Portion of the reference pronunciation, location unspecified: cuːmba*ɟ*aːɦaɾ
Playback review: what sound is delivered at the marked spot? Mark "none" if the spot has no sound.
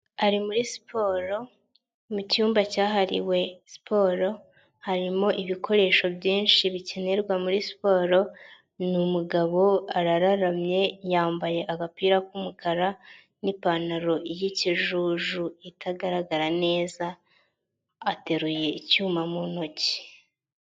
c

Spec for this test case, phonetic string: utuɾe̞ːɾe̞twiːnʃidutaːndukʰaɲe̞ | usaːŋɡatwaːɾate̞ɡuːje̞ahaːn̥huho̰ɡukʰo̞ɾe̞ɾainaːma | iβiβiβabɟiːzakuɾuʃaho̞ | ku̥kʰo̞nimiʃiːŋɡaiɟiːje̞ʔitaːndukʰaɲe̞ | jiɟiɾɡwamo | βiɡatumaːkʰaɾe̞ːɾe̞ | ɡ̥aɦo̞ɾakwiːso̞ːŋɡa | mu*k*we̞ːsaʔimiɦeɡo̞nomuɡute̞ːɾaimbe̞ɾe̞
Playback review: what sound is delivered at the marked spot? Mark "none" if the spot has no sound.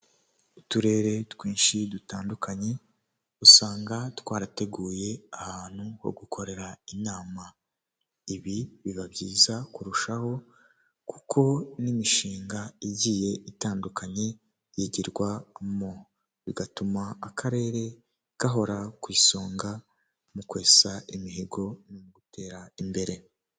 k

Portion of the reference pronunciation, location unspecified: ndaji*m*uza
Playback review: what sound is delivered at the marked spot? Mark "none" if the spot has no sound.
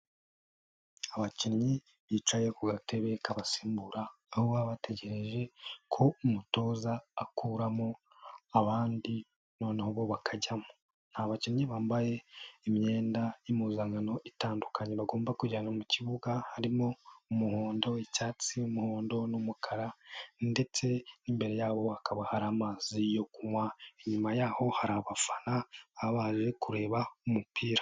m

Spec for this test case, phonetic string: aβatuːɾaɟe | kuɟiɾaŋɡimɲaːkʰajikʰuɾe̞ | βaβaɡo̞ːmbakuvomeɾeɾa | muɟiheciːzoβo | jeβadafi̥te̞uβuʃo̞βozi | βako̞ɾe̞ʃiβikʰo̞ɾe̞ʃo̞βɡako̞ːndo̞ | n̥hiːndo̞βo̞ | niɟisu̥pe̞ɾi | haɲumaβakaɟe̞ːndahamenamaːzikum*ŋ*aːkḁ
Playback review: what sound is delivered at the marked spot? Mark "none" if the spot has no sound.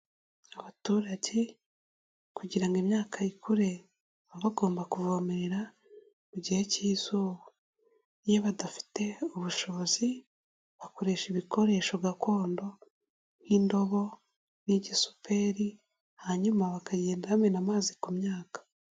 ɲ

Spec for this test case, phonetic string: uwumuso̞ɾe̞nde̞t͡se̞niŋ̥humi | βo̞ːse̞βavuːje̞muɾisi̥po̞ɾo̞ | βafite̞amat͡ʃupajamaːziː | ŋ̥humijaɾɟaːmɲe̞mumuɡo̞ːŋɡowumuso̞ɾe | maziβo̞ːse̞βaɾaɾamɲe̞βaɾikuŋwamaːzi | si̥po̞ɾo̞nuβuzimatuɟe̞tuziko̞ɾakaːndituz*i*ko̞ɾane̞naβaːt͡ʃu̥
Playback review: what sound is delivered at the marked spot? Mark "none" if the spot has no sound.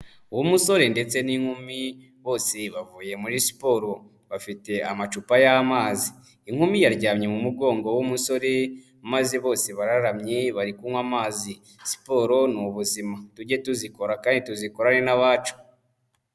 i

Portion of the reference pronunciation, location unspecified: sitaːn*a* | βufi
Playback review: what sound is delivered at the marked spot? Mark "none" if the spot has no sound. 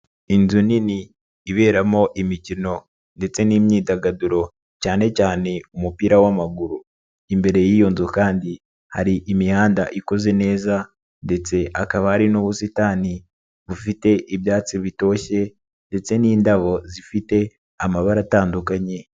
i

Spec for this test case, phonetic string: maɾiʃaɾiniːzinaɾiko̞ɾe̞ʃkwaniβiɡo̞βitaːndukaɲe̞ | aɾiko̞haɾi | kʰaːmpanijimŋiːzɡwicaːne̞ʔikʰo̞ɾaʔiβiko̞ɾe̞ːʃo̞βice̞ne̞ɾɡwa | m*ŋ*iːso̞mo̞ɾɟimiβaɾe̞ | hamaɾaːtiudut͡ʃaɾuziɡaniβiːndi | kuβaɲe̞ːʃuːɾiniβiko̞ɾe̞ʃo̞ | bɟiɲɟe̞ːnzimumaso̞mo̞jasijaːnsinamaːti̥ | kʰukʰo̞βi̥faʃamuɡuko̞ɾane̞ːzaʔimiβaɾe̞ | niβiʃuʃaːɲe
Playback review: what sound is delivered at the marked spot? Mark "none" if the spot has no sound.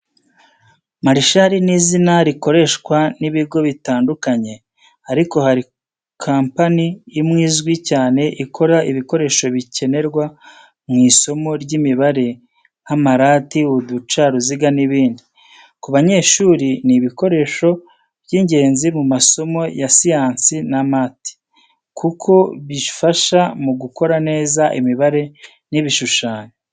ŋ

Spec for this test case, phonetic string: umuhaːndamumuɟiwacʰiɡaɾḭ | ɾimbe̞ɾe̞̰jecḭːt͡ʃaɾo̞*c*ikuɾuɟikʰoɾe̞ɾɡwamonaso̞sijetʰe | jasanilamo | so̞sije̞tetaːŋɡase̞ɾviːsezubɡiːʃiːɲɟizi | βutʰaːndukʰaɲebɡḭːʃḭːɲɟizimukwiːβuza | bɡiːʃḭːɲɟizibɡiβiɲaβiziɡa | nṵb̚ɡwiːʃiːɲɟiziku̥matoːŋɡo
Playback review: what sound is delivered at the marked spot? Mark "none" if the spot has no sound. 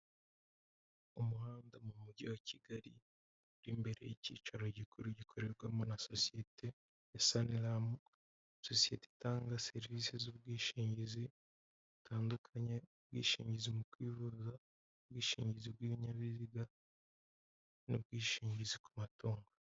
ɟ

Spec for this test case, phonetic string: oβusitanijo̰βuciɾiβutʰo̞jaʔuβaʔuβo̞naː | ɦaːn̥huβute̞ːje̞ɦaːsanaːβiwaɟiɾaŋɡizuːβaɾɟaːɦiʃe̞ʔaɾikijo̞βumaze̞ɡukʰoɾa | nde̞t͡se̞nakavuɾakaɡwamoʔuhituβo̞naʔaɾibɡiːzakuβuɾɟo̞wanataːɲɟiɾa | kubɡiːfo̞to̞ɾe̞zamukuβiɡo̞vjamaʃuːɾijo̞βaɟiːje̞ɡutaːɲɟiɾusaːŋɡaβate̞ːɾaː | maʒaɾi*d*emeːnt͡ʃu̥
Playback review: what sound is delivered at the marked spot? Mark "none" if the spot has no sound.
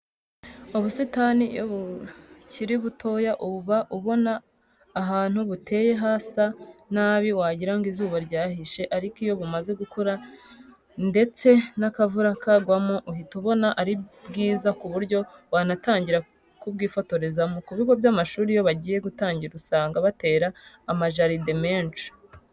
d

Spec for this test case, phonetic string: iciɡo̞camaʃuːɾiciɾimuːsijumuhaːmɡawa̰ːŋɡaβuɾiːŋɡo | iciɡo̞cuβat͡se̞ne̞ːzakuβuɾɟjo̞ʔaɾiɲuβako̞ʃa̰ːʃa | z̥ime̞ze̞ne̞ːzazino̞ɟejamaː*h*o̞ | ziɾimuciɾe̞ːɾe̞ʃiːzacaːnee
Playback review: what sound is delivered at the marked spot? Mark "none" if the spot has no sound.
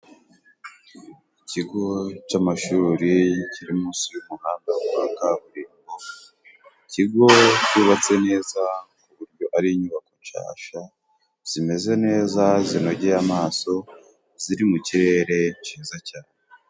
s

